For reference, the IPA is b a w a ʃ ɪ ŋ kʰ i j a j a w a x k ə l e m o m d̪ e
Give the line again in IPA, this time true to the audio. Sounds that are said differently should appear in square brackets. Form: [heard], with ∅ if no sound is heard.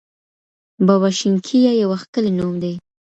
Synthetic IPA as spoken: b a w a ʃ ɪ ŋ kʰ i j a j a w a x k ə l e [n] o m d̪ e